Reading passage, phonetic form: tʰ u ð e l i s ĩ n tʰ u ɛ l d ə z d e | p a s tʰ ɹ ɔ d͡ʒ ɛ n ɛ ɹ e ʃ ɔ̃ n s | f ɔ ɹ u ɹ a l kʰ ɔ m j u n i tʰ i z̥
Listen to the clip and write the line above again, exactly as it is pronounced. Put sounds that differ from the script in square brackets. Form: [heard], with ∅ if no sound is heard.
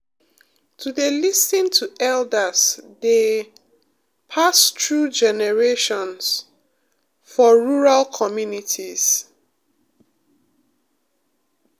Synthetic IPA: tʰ u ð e l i s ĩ n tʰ u ɛ l d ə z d e | [pʰ] a s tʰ ɹ [u] d͡ʒ ɛ n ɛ ɹ e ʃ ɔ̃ n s | f ɔ ɹ u ɹ a l kʰ ɔ m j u n i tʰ i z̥